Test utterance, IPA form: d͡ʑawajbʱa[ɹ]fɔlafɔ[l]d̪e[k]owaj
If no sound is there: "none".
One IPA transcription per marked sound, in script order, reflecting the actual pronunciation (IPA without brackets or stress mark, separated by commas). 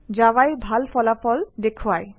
l, l, kʰ